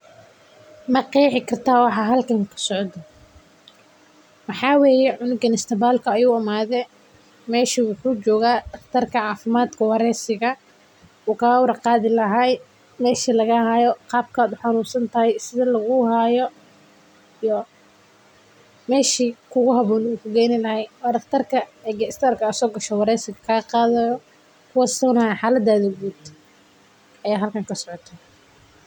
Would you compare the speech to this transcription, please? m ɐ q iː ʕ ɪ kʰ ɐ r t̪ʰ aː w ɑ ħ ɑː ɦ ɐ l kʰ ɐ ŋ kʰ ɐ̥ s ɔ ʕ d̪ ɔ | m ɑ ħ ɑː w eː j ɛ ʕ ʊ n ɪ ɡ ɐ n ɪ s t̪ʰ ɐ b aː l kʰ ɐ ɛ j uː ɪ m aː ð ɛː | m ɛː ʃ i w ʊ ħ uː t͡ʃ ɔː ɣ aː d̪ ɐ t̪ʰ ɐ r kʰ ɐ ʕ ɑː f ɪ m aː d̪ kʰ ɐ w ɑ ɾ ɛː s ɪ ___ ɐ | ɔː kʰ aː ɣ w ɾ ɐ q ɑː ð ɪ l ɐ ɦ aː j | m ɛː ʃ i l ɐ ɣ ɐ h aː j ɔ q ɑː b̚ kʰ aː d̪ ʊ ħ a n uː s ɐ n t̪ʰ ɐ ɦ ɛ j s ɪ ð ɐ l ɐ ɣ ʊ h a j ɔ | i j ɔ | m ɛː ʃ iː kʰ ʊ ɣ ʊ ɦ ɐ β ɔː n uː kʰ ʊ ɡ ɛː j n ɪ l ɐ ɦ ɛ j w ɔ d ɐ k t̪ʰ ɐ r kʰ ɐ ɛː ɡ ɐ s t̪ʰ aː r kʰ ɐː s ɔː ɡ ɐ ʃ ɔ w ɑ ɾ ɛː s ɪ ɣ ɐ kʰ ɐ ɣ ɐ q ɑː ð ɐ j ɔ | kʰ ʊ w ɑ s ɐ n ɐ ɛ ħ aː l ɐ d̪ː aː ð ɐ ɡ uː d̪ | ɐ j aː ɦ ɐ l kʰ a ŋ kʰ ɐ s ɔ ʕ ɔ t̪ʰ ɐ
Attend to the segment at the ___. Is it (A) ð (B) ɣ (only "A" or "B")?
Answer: B